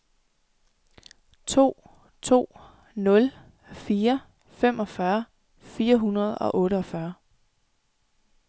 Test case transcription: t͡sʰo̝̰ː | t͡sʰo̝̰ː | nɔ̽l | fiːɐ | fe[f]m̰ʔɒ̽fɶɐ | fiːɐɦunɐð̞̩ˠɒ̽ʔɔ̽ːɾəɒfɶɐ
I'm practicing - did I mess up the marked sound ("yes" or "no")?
yes